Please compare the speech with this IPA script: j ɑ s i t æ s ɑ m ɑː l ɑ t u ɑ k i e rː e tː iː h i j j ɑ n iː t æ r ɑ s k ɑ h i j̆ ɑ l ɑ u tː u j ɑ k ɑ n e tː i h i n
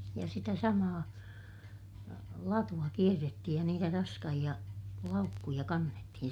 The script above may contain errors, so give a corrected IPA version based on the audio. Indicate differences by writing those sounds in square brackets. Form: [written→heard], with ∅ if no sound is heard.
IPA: j ɑ s i t æ s ɑ m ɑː l ɑ t u ɑ k i e rː e tː [iː→i] h i j j ɑ n iː t æ r ɑ s k ɑ h i j̆ ɑ l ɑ u [tː→kː] u j ɑ k ɑ [n→nː] e tː i h i n

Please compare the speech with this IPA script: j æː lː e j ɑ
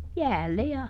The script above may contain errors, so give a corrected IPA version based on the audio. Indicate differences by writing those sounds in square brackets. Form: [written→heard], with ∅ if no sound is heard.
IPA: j æː lː e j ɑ

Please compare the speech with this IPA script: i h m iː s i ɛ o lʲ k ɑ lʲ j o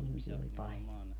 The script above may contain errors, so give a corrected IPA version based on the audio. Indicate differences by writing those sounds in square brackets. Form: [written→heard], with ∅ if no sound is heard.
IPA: i h m [iː→i] s i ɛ o lʲ [k→p] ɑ lʲ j o

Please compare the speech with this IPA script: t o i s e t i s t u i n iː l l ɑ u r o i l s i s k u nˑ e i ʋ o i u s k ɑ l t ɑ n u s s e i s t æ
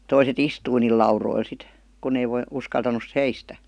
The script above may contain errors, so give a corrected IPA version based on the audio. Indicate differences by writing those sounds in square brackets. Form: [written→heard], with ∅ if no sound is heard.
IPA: t o i s e t i s t u i n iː l l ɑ u r o i l s i [s→t] k u nˑ e i ʋ o i u s k ɑ l t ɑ n u s s e i s t æ

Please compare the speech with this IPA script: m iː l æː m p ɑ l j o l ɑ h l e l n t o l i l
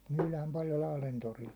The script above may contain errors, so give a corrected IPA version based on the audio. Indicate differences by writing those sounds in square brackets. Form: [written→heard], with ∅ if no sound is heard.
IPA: m [iː→yː] l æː m p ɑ l j o l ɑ h l e [l→∅] n t o [l→r] i l

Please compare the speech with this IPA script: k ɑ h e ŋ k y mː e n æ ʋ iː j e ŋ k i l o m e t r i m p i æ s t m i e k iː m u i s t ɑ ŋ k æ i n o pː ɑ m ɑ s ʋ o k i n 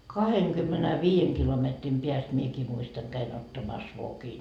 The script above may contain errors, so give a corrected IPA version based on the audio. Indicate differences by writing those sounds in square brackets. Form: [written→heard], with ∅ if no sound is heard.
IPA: k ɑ h e ŋ k y mː e n æ ʋ iː j e ŋ k i l o m e t r i m p i æ s t m i e k iː m u i s t ɑ ŋ k æ i n o [pː→tː] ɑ m ɑ s ʋ o k i n

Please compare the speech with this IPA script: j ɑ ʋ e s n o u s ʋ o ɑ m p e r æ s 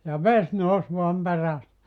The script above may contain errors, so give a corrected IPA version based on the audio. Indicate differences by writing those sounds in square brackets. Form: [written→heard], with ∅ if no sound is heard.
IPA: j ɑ ʋ e s n o u s ʋ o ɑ m p e r æ s

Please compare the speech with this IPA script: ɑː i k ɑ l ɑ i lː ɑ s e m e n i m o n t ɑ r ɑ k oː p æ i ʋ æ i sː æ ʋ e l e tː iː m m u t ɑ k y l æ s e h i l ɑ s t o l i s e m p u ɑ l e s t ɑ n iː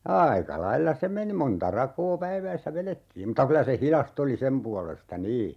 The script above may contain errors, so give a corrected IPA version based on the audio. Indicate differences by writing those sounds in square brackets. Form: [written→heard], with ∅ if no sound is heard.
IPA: ɑː i k ɑ l ɑ i lː ɑ s e m e n i m o n t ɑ r ɑ k oː p æ i ʋ æ i sː æ ʋ e l e tː iː m m u t ɑ k y l æ s e h i l ɑ s t o l i s e m p u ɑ l e s t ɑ n iː

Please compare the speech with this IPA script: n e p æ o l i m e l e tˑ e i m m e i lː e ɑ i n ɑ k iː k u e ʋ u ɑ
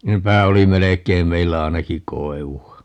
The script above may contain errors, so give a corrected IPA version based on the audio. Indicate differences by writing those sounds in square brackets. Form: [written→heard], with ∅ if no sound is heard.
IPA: n e p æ o l i m e l e [tˑ→kˑ] e i m m e i lː [e→æ] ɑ i n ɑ k [iː→i] k [u→o] e ʋ u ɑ

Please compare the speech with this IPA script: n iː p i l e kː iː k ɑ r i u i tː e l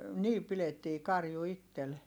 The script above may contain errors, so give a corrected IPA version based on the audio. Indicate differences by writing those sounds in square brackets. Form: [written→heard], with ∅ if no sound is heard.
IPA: n iː p i l e [kː→tː] iː k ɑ r [i→j] u i tː e l

